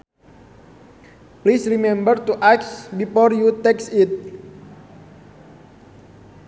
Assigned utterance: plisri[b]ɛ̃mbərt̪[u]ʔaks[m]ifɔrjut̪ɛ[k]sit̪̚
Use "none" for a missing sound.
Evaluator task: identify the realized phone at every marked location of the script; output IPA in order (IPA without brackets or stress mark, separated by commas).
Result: m, u, b, k